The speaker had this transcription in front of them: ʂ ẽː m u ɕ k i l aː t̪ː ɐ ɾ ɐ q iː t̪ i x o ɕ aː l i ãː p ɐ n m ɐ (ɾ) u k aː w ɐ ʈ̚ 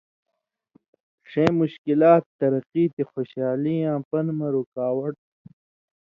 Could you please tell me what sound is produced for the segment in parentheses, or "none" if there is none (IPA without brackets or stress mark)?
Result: ɾ